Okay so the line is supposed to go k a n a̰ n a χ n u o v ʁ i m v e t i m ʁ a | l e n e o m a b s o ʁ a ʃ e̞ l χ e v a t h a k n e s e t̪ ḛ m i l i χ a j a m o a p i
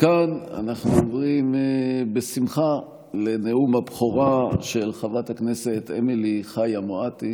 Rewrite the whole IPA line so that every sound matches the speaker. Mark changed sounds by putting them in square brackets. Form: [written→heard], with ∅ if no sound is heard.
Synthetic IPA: k a n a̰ n a χ n u o v ʁ i m [v→b] e [t→s] i m [ʁ→χ] a | l e n e [o→u] m a b [s→χ] o ʁ a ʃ e̞ l χ [e→a] v a t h a k n e s e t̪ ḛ m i l i χ a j a m o a [p→t] i